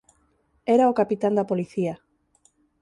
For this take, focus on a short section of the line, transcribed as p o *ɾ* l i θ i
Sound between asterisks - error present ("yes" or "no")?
yes